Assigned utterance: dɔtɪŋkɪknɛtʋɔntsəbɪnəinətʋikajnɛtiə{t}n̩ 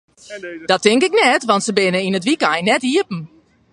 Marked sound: incorrect: p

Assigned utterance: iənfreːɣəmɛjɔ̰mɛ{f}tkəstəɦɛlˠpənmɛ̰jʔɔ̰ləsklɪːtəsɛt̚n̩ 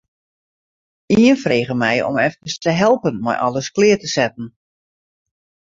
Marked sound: correct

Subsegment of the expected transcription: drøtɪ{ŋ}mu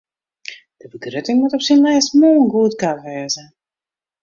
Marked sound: correct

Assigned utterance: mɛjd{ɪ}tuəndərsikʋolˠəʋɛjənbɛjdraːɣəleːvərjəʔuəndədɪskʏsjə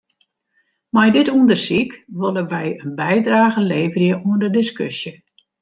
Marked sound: correct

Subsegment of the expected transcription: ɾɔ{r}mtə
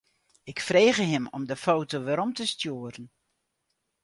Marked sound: incorrect: none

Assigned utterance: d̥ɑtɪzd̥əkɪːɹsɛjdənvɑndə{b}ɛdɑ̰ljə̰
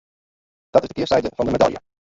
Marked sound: incorrect: m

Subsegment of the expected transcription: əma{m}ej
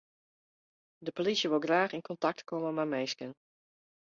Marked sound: correct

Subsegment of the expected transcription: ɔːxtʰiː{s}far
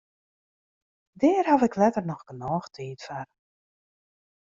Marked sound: incorrect: t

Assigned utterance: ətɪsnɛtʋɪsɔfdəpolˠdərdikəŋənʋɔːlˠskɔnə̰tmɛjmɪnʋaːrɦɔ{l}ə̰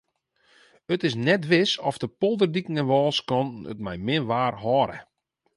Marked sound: incorrect: ɾ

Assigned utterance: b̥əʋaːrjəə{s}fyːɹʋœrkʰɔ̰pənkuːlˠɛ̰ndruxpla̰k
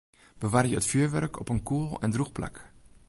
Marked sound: incorrect: t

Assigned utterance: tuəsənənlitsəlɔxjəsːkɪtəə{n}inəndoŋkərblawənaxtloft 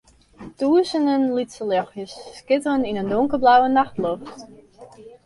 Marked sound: correct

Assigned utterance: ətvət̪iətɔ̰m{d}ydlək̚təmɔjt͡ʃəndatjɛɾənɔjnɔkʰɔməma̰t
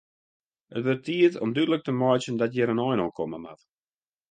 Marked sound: correct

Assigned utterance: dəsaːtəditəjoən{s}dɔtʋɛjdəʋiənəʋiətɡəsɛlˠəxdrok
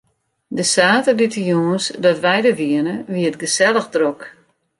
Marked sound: correct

